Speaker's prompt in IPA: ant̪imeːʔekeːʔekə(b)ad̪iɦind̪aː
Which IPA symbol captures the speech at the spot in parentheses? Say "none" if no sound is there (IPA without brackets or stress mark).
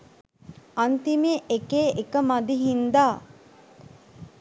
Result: m